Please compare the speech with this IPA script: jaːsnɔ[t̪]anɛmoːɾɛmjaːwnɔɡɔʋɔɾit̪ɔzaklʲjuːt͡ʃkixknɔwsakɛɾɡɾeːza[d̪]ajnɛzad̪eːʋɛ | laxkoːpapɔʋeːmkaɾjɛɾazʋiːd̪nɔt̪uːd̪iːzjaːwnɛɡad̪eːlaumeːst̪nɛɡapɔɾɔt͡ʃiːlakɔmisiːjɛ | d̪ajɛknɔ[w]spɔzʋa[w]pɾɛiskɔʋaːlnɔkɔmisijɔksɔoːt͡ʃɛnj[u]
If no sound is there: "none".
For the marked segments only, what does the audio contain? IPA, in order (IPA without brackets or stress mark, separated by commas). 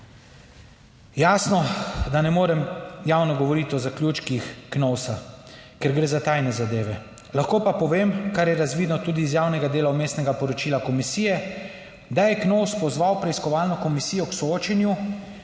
d̪, t̪, w, w, u